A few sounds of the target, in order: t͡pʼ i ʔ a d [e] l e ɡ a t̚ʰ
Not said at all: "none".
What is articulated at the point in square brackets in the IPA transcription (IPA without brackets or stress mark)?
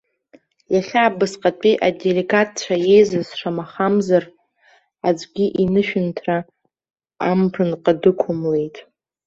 e